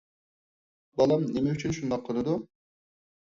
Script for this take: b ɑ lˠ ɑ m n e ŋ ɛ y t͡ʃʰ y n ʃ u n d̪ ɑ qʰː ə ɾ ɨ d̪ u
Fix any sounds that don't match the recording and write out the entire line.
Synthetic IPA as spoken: b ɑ lˠ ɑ m n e m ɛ y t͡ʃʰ y n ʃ u n d̪ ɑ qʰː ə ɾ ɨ d̪ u